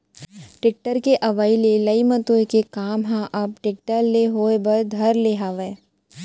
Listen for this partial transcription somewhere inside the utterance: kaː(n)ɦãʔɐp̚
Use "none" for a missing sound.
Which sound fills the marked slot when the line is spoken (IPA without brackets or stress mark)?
m